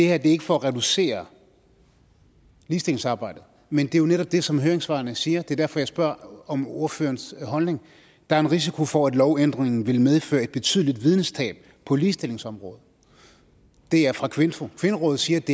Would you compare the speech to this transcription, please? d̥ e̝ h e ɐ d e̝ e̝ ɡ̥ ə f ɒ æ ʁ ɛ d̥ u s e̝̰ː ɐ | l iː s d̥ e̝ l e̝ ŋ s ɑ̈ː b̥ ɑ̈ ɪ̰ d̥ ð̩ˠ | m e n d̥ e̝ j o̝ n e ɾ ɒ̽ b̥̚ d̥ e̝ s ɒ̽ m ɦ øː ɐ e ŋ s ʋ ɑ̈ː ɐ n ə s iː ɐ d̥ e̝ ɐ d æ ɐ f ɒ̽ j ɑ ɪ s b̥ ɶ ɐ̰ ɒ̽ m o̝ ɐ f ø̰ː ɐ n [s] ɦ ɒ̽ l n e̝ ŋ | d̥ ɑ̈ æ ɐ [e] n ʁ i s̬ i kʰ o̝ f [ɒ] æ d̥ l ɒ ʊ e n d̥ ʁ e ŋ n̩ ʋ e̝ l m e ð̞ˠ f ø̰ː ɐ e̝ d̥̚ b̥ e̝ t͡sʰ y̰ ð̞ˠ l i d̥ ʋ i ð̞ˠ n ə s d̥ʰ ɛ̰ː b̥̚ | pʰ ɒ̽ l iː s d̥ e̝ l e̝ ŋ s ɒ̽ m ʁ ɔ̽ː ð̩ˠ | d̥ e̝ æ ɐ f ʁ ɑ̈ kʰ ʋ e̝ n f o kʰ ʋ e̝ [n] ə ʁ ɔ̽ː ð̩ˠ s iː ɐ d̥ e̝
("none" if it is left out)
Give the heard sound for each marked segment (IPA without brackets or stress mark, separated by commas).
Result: s, e, ɒ, n